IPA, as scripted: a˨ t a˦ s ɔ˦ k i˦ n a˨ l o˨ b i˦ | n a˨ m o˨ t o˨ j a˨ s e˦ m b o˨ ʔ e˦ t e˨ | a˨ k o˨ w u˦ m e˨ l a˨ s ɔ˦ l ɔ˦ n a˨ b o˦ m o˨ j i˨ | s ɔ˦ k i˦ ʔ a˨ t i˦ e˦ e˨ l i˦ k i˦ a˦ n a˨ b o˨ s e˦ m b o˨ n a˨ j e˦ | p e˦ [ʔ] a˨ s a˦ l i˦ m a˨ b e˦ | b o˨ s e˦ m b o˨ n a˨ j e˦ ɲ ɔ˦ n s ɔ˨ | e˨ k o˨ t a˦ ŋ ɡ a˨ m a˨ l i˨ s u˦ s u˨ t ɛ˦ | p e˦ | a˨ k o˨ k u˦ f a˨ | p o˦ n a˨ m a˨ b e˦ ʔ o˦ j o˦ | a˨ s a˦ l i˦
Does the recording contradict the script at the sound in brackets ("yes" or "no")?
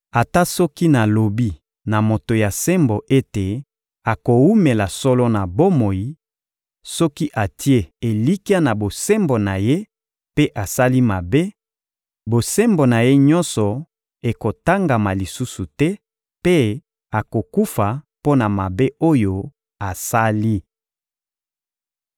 no